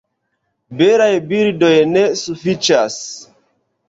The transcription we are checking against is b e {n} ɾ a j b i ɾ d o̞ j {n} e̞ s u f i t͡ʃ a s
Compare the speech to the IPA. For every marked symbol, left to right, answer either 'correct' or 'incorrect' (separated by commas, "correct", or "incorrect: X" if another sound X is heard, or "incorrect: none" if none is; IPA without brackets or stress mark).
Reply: incorrect: none, correct